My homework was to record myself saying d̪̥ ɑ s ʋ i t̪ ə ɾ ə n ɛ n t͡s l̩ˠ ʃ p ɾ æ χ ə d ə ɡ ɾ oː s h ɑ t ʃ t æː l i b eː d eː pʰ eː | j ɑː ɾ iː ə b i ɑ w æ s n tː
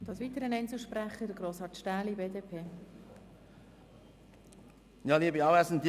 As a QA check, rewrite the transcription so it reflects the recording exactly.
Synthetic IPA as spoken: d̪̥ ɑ s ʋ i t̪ ə ɾ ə n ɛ n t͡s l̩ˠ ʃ p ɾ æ χ ə d ə ɡ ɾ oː s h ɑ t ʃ t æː l i b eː d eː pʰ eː | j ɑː l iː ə b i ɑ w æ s n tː